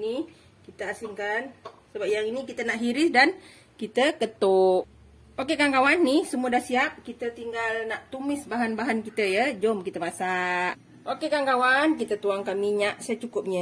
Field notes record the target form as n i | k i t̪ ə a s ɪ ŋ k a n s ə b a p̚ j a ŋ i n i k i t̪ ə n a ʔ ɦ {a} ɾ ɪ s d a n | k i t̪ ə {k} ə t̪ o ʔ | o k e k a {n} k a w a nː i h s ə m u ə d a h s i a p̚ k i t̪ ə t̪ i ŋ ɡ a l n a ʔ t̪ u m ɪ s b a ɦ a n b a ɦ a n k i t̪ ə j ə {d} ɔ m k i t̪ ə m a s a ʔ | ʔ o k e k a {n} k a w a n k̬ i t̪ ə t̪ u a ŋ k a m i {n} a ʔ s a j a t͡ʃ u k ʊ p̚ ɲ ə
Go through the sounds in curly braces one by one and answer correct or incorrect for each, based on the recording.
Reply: incorrect: i, correct, incorrect: ŋ, incorrect: d͡ʒ, incorrect: ŋ, incorrect: ɲ

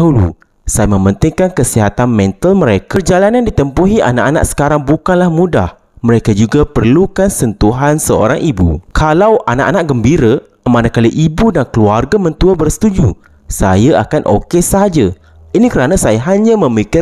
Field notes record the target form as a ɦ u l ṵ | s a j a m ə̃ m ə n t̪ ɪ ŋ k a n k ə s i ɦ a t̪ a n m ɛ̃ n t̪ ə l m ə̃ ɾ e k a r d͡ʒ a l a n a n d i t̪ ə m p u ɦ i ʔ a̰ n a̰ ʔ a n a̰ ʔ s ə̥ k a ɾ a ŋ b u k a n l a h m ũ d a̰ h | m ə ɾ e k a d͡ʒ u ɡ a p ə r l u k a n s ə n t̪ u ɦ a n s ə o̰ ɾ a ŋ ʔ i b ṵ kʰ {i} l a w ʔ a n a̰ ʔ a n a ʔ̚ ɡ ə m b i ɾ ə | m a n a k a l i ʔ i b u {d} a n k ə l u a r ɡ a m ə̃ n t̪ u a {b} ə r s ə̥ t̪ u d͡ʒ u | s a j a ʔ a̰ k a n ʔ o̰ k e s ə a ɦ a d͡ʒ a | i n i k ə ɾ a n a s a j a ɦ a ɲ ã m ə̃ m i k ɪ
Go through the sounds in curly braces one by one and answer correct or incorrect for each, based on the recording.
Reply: incorrect: a, correct, correct

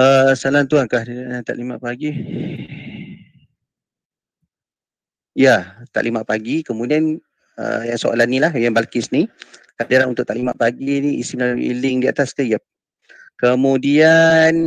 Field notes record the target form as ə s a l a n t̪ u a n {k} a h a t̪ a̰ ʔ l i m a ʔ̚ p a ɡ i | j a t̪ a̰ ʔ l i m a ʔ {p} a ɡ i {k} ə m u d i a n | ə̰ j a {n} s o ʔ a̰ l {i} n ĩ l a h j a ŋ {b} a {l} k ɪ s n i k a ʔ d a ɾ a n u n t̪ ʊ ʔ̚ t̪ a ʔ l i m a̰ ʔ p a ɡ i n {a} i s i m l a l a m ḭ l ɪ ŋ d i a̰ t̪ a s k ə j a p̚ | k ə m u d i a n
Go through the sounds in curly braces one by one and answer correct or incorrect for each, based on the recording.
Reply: correct, correct, correct, incorrect: ŋ, incorrect: a, correct, correct, incorrect: i

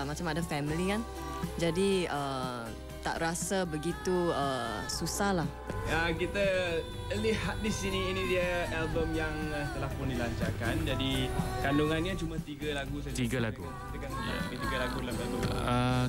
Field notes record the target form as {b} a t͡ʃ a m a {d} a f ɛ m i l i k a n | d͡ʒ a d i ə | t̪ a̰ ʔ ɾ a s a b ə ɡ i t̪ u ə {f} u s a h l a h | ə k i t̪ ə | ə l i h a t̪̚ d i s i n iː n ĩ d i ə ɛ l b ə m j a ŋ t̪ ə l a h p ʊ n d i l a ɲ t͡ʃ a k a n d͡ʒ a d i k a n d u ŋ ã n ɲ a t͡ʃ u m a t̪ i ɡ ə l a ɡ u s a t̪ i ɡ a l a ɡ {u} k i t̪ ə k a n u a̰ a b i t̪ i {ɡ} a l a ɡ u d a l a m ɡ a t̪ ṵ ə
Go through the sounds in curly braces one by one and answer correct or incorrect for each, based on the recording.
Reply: incorrect: m, correct, incorrect: s, correct, correct

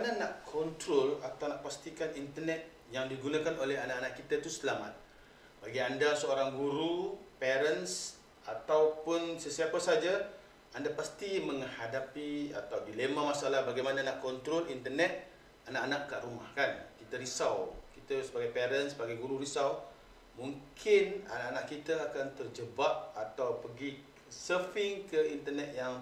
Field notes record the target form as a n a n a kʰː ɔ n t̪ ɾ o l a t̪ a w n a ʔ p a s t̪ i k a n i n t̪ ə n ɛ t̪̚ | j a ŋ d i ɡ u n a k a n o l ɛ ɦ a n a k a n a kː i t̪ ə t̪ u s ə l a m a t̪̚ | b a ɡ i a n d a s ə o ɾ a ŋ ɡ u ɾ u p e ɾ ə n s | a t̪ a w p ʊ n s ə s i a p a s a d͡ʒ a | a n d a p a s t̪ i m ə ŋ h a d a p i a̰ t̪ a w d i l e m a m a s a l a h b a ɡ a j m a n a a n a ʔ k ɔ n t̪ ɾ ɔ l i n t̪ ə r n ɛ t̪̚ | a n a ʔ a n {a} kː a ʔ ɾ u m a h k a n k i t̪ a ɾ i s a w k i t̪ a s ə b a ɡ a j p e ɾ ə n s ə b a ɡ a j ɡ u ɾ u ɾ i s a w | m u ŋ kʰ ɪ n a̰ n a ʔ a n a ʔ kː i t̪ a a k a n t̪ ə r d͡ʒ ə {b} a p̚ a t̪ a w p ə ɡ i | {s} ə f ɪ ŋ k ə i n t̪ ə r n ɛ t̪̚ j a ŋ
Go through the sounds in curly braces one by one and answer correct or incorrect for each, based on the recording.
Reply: correct, correct, correct

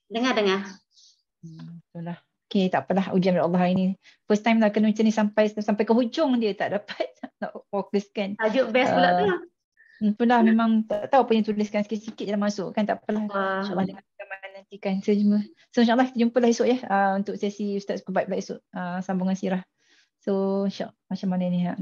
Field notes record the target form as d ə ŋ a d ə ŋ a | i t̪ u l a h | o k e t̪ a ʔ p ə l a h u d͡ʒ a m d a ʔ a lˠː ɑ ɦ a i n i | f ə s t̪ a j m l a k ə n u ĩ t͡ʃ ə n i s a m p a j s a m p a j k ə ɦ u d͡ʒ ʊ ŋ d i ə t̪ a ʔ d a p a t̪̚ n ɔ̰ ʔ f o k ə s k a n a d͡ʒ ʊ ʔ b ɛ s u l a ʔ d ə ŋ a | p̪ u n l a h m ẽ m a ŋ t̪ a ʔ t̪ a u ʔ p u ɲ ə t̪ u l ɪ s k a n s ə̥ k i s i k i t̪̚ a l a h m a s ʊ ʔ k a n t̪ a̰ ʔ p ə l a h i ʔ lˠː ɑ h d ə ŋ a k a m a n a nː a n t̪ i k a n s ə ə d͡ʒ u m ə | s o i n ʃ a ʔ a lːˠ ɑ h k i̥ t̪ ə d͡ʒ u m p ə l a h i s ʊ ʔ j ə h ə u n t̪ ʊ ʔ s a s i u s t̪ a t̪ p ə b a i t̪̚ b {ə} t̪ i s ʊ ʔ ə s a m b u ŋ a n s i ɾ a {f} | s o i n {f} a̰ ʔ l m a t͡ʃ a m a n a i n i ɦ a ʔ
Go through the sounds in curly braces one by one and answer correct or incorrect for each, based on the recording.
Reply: incorrect: a, incorrect: h, incorrect: ʃ

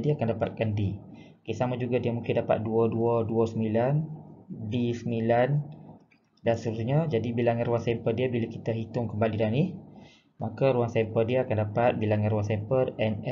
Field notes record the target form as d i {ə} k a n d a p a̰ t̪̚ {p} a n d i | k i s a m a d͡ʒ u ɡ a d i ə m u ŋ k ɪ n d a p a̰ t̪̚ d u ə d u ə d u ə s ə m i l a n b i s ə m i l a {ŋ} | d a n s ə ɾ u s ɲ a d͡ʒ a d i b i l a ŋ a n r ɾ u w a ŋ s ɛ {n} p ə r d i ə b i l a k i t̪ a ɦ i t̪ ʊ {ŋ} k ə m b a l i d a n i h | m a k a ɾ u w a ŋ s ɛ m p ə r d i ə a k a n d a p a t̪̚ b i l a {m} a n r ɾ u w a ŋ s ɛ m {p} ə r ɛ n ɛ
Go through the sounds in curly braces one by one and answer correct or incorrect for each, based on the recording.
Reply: incorrect: a, incorrect: k, incorrect: n, incorrect: m, correct, incorrect: ŋ, correct

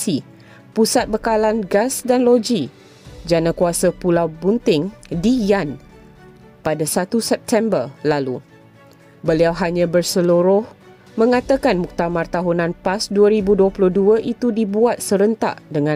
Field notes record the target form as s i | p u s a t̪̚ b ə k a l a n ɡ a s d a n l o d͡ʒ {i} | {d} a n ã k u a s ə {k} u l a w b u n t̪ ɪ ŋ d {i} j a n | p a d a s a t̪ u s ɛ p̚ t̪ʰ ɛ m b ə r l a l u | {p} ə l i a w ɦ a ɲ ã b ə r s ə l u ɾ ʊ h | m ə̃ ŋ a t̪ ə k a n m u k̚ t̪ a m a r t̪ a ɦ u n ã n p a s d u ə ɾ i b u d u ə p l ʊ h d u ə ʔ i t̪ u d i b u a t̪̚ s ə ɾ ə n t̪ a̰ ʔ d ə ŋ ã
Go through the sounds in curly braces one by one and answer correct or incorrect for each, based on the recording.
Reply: correct, incorrect: d͡ʒ, incorrect: p, correct, incorrect: b

